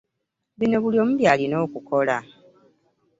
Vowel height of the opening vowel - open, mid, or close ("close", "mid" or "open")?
close